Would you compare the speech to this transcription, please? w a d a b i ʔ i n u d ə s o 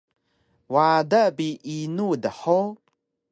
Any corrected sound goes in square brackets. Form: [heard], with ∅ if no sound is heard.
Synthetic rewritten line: w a d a b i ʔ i n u d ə [ħ] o